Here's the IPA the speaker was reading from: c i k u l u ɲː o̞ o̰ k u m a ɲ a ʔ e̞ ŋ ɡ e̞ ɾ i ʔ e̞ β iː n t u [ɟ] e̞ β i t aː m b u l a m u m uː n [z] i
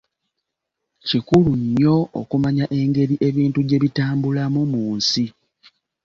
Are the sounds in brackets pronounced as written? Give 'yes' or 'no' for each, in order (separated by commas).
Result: yes, no